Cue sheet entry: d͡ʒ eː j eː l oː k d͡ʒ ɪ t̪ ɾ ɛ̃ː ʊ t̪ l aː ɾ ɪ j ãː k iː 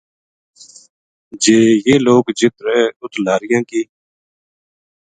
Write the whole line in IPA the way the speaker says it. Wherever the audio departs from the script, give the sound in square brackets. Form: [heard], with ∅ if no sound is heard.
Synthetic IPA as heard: d͡ʒ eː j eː l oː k d͡ʒ ɪ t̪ ɾ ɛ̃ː ʊ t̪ l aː ɾ ɪ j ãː k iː